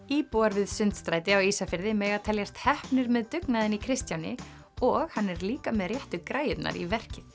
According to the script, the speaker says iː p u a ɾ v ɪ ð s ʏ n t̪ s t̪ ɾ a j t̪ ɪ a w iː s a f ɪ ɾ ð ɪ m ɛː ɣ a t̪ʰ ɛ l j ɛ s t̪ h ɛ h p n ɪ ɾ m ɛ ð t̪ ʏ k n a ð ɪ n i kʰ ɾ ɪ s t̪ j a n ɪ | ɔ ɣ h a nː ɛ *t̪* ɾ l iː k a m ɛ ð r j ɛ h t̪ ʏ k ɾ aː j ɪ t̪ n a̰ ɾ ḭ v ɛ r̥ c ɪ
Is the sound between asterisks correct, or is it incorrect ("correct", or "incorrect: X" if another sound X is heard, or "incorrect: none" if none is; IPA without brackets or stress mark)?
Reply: incorrect: none